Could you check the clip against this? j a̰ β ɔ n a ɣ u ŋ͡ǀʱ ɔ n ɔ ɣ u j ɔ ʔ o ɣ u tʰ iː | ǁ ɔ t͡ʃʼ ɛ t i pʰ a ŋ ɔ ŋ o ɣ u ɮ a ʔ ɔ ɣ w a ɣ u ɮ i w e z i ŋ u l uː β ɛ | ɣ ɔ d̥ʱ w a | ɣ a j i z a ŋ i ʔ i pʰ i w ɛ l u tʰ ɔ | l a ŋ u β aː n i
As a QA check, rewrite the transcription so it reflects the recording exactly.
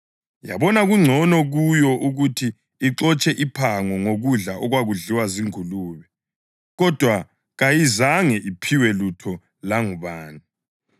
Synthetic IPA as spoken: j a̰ β ɔ n a ɣ u ŋ͡ǀʱ ɔ n ɔ ɣ u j ɔ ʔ u ɣ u tʰ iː | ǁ ɔ t͡ʃʼ ɛ ʔ i pʰ a ŋ ɔ ŋ o ɣ u ɮ a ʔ ɔ ɣ w a ɣ u ɮ i w a z i ŋ u l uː β ɛ | ɣ ɔ d̥ʱ w a | ɣ a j i z a ŋ ɛ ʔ i pʰ i w ɛ l u tʰ ɔ | l a ŋ u β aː n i